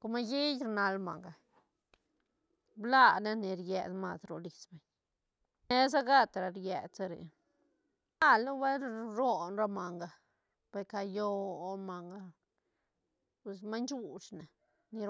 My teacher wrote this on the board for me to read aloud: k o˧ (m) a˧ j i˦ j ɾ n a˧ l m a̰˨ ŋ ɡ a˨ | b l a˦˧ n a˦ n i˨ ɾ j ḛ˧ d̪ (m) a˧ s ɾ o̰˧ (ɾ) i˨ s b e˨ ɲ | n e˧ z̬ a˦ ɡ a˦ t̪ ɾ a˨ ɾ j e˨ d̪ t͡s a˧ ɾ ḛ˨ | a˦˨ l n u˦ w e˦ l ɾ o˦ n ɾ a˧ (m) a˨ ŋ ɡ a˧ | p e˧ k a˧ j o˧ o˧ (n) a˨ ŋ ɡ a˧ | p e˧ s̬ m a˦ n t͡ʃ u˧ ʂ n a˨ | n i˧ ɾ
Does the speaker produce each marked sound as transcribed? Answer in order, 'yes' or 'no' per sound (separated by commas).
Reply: yes, yes, no, yes, no